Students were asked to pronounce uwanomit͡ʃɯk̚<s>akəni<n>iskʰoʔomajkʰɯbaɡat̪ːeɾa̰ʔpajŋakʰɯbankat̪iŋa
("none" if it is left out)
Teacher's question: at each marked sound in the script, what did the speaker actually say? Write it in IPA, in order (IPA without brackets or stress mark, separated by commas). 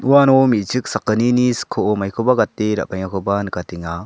s, n